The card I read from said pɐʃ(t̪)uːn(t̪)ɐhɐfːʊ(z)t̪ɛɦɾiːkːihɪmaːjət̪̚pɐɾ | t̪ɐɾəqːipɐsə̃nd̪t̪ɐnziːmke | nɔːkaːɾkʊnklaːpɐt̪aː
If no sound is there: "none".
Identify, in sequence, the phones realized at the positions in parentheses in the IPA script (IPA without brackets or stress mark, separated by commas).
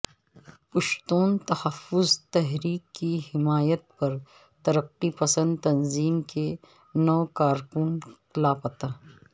t̪, t̪, z